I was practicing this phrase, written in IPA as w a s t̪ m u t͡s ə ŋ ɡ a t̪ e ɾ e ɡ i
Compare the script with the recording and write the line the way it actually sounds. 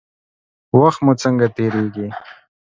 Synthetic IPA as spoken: w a x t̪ m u t͡s ə ŋ ɡ a t̪ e ɾ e ɡ i